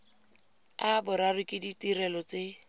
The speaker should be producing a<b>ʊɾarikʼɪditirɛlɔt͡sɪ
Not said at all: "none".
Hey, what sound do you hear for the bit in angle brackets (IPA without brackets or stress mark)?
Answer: b